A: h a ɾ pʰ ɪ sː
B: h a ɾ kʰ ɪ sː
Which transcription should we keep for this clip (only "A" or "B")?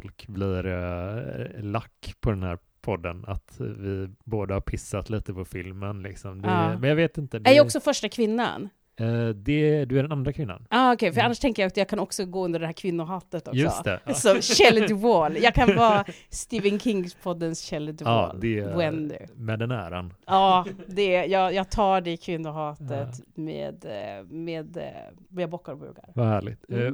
A